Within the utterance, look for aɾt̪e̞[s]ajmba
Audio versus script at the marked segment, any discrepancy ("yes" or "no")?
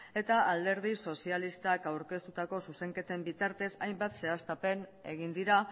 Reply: no